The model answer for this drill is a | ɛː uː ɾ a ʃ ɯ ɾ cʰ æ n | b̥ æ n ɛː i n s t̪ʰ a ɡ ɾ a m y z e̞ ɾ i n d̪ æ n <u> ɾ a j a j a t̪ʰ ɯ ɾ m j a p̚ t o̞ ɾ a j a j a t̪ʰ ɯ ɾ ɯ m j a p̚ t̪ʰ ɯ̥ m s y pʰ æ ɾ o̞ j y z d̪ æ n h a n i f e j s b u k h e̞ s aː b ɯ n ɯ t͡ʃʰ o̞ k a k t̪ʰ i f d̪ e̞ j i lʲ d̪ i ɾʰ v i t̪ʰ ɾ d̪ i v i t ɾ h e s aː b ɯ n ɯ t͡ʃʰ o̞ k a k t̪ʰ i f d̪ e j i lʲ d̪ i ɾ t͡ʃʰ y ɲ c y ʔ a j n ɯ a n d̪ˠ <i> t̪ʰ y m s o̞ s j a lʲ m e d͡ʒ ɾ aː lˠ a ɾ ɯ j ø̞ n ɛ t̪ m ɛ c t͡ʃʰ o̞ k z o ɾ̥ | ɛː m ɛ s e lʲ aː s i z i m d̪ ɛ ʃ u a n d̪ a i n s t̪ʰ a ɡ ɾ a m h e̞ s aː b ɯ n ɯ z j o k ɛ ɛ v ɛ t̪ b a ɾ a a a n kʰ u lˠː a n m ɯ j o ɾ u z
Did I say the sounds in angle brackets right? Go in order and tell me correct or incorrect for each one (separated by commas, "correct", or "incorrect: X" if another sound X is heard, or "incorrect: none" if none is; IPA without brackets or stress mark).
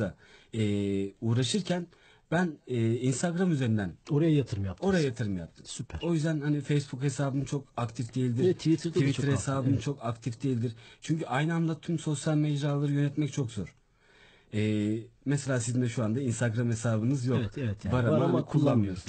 incorrect: o, incorrect: a